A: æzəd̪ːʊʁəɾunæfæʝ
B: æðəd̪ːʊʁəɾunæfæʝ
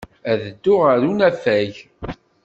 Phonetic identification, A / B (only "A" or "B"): B